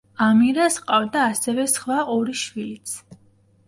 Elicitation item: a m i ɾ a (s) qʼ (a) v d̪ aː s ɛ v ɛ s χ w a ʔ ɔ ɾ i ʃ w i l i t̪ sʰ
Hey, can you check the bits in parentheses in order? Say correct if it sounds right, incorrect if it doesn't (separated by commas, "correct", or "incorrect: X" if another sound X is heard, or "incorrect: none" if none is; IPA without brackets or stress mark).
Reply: correct, correct